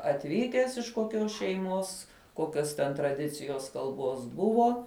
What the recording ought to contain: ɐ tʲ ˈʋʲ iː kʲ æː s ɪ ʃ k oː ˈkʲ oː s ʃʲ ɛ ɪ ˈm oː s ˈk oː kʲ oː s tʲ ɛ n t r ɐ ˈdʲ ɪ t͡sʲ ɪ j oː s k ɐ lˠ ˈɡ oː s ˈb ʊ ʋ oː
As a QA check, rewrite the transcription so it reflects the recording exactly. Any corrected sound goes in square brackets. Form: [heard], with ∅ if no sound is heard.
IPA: ɐ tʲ ˈʋʲ iː kʲ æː s ɪ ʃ k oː ˈkʲ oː s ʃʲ ɛ ɪ ˈm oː s ˈk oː kʲ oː s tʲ ɛ n t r ɐ ˈdʲ ɪ t͡sʲ ɪ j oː s k ɐ lˠ [ˈb] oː s ˈb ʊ ʋ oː